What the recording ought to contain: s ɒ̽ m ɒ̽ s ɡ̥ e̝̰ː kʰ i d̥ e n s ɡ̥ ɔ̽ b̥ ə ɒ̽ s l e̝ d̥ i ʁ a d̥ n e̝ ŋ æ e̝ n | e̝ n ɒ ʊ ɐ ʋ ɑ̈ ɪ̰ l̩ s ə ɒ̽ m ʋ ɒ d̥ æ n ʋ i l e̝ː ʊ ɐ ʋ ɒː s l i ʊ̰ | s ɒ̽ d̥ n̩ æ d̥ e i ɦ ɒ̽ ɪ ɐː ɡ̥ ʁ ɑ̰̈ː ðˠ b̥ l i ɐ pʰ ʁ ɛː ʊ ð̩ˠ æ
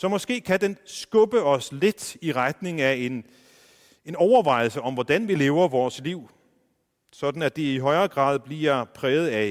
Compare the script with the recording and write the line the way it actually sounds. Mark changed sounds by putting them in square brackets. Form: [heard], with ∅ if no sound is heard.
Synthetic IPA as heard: s ɒ̽ m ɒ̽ s ɡ̥ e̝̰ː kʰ [æ] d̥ e n s ɡ̥ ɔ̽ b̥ ə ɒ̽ s l e̝ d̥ i ʁ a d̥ n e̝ ŋ æ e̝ n | e̝ n ɒ ʊ ɐ ʋ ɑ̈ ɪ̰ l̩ s ə ɒ̽ m ʋ ɒ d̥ æ n ʋ i l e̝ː ʊ ɐ ʋ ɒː s l i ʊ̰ | s ɒ̽ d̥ n̩ æ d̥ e i ɦ ɒ̽ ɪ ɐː ɡ̥ ʁ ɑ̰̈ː ðˠ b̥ l i ɐ pʰ ʁ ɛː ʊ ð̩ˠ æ